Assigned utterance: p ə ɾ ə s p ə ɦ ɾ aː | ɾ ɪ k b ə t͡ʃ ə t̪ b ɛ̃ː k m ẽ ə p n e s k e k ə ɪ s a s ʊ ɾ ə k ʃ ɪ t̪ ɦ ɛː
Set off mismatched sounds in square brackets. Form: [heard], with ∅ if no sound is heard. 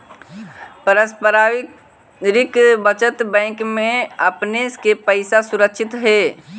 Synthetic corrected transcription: p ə ɾ ə s p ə [∅] ɾ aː | ɾ ɪ k b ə t͡ʃ ə t̪ b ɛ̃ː k m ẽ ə p n e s k e [p] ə ɪ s a s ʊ ɾ ə k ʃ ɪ t̪ ɦ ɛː